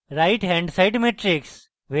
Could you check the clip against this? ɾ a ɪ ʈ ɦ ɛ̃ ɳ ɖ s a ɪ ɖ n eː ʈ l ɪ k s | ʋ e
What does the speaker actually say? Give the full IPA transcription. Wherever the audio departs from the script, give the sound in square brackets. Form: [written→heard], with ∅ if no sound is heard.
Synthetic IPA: ɾ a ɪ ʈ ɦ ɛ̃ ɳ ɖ s a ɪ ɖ [n→m] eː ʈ [l→ɾ] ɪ k s | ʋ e